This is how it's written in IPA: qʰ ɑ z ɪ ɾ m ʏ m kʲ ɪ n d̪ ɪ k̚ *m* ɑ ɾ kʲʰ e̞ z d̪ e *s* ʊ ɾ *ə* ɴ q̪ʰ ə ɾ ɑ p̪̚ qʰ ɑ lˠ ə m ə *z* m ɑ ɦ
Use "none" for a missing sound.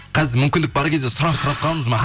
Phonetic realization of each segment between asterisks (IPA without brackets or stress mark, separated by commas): b, s, ɑ, z